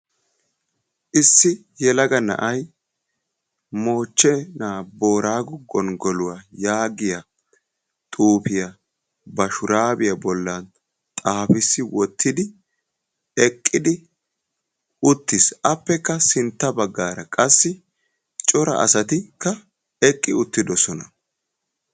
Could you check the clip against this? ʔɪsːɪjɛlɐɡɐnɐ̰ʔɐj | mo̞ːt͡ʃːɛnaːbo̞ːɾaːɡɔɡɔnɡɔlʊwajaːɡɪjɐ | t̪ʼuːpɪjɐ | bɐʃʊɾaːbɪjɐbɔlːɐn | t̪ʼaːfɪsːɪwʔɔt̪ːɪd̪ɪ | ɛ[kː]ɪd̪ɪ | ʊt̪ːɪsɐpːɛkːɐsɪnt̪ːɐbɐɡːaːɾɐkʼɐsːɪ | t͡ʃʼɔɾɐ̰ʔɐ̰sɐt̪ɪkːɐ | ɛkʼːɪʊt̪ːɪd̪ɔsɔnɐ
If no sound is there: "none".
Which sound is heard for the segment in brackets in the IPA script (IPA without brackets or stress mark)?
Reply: kʼː